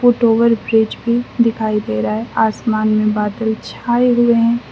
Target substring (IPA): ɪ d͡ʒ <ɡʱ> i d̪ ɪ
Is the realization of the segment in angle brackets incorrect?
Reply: yes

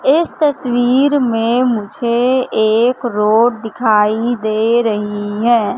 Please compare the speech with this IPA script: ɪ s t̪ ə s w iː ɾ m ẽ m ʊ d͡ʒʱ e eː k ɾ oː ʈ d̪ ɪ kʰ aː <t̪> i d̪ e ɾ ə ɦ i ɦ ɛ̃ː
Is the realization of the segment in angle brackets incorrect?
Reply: yes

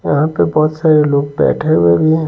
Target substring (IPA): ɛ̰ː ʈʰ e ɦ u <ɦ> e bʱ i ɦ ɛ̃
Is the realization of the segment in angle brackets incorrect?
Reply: yes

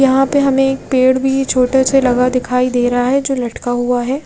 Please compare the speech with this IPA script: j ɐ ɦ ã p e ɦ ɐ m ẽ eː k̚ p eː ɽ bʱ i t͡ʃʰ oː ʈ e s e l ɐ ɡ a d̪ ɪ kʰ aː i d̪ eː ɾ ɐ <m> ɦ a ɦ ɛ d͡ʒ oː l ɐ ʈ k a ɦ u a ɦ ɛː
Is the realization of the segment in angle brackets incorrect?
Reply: yes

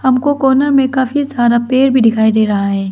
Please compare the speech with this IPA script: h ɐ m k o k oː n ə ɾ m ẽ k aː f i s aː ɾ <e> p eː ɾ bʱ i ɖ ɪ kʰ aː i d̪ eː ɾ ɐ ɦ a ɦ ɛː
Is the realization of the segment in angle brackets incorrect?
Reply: yes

